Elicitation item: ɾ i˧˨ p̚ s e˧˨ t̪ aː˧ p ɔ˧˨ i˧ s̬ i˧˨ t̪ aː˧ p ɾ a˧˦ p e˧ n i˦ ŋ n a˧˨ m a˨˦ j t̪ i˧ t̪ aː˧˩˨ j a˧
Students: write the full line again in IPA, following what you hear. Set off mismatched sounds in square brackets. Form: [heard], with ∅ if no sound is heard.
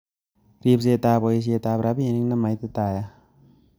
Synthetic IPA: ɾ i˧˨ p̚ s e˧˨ t̪ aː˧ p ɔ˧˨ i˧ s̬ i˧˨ t̪ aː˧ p ɾ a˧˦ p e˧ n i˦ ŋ n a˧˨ m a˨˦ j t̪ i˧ t̪ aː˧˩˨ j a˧